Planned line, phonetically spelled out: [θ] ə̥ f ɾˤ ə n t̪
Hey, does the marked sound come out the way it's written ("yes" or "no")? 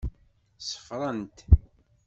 no